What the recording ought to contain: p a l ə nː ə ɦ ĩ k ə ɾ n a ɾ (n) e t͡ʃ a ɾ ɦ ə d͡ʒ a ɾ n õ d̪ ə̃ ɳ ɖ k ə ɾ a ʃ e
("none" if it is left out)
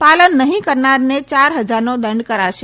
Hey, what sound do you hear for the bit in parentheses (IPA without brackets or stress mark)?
n